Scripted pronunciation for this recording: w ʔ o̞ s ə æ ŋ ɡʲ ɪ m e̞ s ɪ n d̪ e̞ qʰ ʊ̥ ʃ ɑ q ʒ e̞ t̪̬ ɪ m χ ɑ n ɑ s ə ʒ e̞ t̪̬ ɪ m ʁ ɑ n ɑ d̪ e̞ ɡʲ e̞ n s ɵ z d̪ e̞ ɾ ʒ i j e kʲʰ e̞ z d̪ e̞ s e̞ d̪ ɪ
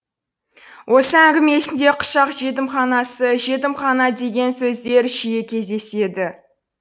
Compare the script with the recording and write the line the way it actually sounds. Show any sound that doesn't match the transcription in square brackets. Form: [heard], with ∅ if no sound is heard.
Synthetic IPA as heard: w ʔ o̞ s ə æ ŋ ɡʲ ɪ m e̞ s ɪ n d̪ e̞ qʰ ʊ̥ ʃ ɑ q ʒ e̞ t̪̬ ɪ m χ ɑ n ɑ s ə ʒ e̞ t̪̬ ɪ m [χ] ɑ n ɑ d̪ e̞ ɡʲ e̞ n s ɵ z d̪ e̞ ɾ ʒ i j e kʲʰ e̞ z d̪ e̞ s e̞ d̪ ɪ